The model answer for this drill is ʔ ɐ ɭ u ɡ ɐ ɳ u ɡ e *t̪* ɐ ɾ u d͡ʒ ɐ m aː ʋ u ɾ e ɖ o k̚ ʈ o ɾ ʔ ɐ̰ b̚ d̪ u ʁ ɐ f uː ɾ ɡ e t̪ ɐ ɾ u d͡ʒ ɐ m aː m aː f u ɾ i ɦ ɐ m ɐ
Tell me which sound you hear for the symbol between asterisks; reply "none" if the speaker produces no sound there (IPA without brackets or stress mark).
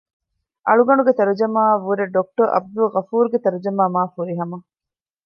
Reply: t̪